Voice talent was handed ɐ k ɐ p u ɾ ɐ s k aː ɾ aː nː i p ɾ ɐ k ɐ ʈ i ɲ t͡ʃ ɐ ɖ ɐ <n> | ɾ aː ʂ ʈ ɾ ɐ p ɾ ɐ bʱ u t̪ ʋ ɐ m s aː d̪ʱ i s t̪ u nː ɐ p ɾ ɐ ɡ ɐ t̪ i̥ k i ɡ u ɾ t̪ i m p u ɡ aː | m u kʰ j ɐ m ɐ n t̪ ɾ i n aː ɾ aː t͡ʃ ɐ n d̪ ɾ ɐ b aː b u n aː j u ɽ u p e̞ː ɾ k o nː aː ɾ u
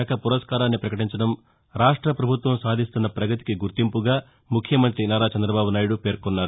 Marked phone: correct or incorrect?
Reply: incorrect